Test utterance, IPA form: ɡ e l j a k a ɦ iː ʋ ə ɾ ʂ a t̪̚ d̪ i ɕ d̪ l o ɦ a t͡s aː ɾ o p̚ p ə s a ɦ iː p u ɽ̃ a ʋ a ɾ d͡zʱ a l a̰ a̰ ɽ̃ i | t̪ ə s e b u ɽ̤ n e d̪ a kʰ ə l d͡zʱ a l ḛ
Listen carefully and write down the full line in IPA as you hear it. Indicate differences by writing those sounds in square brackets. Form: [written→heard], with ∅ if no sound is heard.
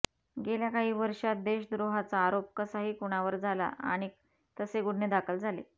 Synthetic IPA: ɡ e l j a k a ɦ iː ʋ ə ɾ ʂ a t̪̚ d̪ [i→e] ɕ d̪ [l→ɾ] o ɦ a t͡s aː ɾ o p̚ [p→k] ə s a ɦ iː [p→k] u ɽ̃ a ʋ [a→ə] ɾ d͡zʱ a l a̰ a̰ ɽ̃ i | t̪ ə s e [b→ɡ] u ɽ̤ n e d̪ a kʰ ə l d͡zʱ a l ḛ